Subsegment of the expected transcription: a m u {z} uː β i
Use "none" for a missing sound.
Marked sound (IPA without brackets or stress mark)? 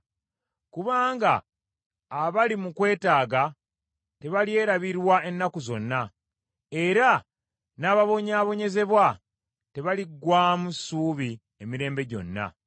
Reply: s